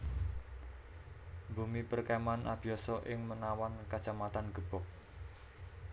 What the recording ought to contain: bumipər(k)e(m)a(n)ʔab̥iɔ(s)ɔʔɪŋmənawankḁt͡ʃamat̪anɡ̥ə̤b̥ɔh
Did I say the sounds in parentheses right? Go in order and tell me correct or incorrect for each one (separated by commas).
correct, correct, correct, correct